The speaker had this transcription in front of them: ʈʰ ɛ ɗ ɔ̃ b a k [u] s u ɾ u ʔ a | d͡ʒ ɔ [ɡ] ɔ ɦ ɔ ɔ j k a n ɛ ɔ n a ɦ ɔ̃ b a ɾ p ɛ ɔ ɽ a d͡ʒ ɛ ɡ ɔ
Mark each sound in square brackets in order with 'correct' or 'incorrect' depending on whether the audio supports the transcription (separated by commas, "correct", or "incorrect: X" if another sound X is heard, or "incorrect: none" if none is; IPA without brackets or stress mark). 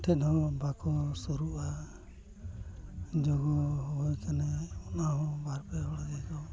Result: incorrect: ɔ, correct